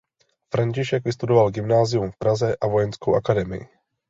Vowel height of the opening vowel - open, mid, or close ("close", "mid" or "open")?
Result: open